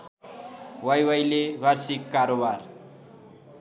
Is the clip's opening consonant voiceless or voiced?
voiced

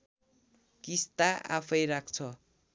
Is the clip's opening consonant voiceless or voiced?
voiceless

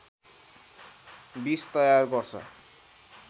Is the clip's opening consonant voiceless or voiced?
voiced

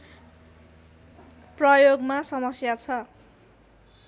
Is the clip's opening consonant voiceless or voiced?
voiceless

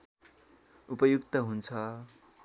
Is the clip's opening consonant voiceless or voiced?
voiceless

